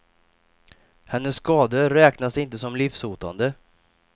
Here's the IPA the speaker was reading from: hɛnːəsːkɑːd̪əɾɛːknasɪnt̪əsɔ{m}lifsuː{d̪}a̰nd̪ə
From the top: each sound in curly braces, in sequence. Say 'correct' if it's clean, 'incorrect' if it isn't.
correct, incorrect: t̪

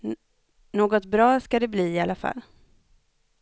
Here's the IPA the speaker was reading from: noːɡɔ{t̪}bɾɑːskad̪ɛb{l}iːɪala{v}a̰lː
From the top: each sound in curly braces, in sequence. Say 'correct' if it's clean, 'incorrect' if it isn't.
correct, correct, incorrect: f

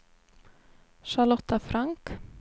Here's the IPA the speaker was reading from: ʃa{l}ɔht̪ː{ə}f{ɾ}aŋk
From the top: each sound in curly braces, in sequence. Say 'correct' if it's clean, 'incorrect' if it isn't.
correct, incorrect: a, correct

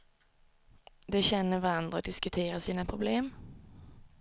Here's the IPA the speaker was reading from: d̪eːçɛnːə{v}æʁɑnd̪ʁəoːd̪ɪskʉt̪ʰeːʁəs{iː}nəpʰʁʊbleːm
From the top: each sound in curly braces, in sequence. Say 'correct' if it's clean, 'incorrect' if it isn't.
incorrect: ʋ, correct

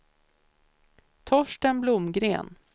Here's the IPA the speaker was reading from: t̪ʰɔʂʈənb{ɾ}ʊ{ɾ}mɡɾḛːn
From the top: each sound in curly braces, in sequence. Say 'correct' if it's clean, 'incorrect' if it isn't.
incorrect: l, incorrect: none

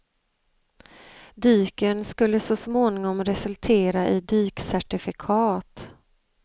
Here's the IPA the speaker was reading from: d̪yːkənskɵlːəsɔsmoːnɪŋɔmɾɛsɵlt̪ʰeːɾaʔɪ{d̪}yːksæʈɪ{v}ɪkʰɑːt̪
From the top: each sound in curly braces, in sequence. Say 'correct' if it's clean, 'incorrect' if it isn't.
correct, incorrect: f

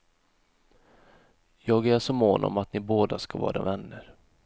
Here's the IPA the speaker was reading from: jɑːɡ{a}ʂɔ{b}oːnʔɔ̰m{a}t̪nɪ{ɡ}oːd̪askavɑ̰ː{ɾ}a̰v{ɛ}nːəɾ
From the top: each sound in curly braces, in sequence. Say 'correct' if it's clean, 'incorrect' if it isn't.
incorrect: æ, incorrect: m, correct, incorrect: b, correct, correct

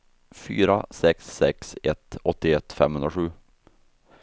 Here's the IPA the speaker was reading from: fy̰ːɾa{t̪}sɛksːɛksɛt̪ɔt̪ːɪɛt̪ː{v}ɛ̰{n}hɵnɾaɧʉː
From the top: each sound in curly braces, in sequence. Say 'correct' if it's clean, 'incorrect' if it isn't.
incorrect: none, incorrect: f, incorrect: m

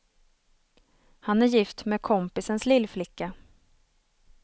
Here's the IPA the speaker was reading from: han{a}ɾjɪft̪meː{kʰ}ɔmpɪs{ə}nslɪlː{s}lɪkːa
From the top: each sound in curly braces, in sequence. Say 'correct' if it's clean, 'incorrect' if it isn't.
incorrect: æ, correct, correct, incorrect: f

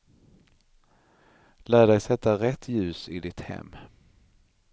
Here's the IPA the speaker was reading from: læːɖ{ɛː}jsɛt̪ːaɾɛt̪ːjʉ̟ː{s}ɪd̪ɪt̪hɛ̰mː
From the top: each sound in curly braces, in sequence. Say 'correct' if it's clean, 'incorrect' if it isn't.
incorrect: ɛ, correct

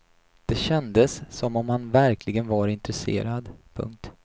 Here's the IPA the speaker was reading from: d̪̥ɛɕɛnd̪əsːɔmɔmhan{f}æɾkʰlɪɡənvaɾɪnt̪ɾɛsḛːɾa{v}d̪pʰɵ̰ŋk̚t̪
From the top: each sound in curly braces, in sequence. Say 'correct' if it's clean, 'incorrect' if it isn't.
incorrect: v, incorrect: none

